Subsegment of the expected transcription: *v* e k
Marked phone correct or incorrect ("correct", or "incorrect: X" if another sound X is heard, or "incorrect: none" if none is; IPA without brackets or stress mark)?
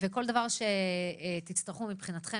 correct